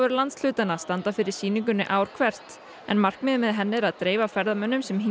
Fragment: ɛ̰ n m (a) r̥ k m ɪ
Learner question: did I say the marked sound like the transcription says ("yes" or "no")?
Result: yes